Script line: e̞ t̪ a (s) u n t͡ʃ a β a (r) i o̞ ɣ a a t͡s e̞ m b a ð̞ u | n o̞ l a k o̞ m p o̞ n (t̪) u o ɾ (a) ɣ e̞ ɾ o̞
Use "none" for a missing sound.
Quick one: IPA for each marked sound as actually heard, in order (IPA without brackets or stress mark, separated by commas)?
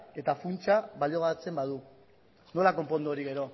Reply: f, l, d̪, i